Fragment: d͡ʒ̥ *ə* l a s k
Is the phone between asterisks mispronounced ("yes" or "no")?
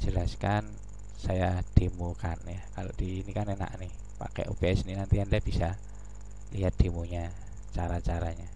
no